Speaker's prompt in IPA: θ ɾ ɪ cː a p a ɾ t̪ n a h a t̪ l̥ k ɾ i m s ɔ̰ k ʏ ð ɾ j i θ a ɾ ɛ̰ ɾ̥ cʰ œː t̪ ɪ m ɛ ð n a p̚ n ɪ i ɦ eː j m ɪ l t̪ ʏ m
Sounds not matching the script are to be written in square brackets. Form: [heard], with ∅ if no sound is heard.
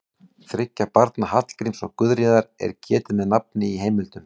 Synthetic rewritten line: θ ɾ ɪ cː a p a ɾ t̪ n a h a t̪ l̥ k ɾ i m s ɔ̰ k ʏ ð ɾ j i [ð] a ɾ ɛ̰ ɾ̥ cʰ [ɛː] t̪ ɪ m ɛ ð n a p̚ n ɪ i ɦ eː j m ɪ l t̪ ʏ m